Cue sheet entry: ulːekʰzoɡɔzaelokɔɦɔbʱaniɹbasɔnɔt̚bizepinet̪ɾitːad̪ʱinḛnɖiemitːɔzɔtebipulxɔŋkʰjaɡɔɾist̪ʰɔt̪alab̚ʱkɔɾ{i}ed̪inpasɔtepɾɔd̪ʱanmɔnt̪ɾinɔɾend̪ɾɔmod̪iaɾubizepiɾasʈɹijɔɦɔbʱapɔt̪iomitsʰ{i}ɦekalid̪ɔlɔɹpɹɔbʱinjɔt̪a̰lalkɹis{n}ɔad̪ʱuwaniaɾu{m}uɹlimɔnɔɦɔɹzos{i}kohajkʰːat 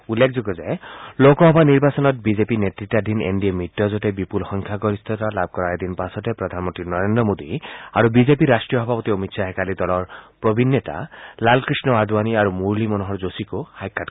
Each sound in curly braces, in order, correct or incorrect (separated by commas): incorrect, incorrect, correct, correct, correct